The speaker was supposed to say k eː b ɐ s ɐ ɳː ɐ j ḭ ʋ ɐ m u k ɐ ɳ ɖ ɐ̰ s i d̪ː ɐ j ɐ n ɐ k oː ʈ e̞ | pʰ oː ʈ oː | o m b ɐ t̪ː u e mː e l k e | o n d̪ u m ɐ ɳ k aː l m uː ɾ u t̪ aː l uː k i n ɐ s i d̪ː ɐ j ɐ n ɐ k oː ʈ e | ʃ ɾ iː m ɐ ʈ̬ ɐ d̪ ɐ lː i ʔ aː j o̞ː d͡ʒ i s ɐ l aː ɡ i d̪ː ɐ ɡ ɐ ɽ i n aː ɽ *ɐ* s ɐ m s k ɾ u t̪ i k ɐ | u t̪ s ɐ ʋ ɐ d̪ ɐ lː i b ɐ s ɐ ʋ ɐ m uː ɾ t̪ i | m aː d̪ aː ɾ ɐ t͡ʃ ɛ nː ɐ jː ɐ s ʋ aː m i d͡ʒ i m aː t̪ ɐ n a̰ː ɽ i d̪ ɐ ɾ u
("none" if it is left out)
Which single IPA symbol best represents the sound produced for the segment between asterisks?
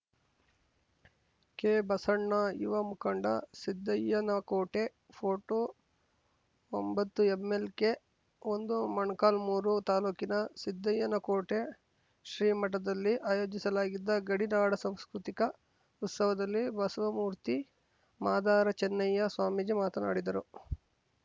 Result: ɐ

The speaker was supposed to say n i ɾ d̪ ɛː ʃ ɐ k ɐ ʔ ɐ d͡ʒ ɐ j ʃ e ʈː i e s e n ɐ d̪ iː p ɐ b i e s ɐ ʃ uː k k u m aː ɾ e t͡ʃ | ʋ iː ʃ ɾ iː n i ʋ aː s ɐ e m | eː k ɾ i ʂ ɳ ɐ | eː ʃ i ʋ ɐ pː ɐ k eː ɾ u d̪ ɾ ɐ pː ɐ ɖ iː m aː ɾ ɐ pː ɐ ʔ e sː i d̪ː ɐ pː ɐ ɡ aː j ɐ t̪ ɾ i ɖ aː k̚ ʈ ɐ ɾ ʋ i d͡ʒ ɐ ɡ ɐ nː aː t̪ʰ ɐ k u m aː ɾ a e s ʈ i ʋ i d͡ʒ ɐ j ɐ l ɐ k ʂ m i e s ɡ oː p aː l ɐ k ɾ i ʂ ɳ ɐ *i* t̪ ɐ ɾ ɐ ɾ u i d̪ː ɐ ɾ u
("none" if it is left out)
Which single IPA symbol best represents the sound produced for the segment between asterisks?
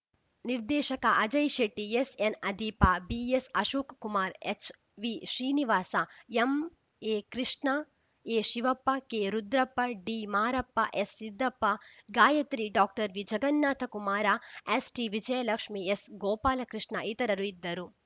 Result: i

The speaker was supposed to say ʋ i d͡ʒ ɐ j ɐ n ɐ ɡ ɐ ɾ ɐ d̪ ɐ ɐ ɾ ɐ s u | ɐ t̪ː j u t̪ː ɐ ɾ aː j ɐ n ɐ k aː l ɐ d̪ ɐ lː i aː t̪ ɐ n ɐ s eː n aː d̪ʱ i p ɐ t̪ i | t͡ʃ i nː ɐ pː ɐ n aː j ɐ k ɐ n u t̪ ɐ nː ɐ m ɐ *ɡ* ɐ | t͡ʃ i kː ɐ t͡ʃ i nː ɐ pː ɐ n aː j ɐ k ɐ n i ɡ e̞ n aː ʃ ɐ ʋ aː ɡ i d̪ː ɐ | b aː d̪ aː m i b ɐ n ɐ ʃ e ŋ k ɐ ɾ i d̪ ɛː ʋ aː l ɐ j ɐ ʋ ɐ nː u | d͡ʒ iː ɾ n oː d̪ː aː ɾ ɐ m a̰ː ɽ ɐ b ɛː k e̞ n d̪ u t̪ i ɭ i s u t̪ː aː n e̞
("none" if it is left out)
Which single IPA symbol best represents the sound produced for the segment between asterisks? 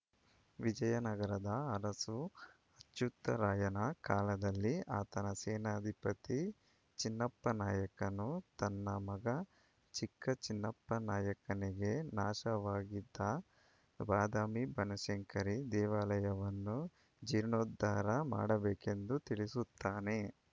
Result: ɡ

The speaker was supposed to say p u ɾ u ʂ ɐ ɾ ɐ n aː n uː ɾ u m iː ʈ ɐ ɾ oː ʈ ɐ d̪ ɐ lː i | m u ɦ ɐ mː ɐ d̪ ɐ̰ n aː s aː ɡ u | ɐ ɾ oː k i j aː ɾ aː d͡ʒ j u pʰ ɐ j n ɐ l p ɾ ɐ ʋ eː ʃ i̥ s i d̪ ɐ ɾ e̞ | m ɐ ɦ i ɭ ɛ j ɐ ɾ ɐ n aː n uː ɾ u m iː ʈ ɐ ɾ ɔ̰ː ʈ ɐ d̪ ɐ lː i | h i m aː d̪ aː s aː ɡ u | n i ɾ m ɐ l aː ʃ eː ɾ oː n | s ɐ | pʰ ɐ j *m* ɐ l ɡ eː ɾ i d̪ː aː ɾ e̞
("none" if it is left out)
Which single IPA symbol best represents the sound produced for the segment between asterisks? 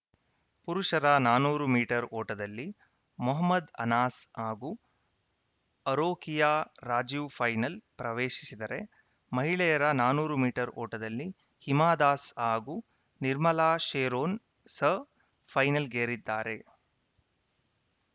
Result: n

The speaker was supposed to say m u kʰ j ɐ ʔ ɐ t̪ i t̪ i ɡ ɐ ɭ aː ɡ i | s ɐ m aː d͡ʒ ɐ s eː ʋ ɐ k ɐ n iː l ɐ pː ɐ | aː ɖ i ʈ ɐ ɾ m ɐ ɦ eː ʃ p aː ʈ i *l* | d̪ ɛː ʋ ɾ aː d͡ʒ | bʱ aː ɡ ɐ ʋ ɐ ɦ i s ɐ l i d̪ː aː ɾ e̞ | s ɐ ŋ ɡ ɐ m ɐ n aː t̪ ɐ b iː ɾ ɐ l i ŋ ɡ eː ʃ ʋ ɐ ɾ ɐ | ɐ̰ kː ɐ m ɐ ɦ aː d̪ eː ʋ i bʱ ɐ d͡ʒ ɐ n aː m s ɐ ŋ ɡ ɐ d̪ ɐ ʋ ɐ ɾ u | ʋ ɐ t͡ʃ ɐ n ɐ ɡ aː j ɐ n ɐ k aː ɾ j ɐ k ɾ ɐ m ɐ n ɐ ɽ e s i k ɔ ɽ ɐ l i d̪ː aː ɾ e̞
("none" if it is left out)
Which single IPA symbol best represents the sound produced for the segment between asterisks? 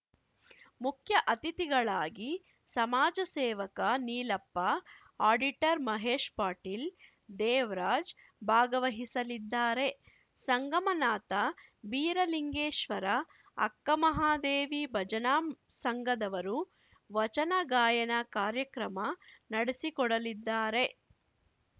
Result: l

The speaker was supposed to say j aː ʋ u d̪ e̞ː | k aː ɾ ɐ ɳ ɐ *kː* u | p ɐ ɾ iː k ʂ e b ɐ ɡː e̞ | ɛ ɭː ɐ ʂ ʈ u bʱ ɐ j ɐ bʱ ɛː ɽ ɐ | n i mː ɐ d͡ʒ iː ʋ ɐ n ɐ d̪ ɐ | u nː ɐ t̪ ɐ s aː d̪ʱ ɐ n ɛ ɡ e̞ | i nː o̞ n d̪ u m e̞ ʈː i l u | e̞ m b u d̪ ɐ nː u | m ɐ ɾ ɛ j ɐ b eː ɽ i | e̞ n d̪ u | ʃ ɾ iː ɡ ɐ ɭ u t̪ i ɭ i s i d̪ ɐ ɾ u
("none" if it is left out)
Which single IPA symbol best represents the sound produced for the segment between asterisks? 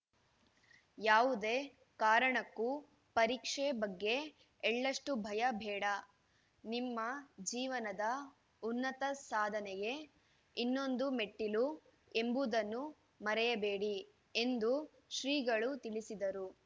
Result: kː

